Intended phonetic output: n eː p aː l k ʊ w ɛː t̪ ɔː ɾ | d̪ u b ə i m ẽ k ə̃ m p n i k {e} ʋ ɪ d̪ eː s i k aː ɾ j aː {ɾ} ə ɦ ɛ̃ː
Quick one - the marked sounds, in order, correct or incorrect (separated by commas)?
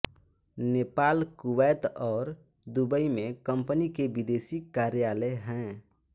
correct, incorrect